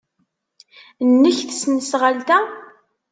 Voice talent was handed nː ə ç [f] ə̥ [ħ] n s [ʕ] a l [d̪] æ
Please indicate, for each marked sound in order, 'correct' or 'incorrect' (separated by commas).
incorrect, incorrect, incorrect, incorrect